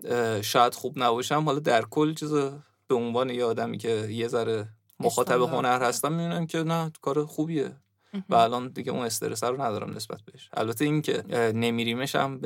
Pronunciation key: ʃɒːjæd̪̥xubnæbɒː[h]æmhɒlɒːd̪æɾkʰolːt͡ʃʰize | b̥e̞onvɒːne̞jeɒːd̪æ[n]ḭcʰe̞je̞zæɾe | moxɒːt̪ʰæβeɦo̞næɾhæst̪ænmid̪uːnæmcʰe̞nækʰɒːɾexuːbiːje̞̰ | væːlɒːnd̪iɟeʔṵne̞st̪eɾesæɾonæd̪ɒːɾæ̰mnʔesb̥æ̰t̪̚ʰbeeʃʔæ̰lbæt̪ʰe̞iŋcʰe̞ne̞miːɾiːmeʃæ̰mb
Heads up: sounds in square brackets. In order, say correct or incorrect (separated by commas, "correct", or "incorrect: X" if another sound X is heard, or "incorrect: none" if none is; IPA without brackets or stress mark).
incorrect: ʃ, incorrect: m